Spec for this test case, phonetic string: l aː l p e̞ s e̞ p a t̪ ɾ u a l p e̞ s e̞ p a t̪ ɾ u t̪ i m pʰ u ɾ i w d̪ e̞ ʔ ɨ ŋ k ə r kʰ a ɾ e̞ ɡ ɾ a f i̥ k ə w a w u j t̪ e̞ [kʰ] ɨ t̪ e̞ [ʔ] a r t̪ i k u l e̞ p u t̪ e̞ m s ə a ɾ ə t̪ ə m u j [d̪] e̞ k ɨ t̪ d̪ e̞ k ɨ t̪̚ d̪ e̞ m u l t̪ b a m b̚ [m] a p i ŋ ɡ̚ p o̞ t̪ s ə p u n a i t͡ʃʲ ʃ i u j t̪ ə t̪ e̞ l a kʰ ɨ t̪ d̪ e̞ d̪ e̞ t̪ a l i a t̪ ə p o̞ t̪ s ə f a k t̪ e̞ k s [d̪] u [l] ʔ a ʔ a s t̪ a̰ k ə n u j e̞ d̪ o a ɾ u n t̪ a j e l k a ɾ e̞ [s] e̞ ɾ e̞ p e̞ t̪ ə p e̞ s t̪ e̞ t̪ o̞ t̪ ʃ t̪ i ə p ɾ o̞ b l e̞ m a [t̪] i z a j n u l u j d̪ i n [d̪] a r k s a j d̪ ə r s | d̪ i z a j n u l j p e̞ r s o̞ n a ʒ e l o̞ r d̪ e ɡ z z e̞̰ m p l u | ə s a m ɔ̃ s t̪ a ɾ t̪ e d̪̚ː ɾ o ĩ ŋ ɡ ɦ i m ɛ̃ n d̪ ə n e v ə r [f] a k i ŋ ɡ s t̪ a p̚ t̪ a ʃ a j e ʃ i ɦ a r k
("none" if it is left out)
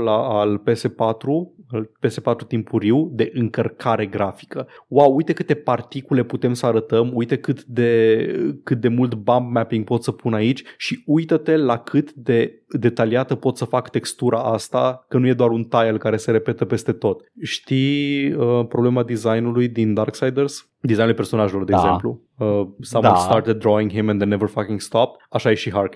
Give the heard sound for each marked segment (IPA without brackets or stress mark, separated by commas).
k, p, t̪, m, t̪, ɾ, s, d̪, d̪, f